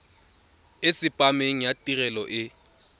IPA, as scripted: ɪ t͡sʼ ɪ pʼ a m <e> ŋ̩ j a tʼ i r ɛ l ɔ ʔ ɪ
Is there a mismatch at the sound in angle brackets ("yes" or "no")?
no